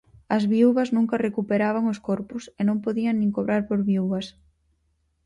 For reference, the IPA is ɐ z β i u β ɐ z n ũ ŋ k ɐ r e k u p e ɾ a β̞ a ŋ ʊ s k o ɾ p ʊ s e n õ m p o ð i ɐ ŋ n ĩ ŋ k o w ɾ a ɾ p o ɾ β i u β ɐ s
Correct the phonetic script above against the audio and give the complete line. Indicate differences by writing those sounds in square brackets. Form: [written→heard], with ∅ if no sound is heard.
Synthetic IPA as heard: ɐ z β i u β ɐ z n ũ ŋ k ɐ r e k u p e ɾ a β̞ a ŋ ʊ s k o ɾ p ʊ s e n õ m p o ð i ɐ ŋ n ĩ ŋ k o [w→β] ɾ a ɾ p o ɾ β i u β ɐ s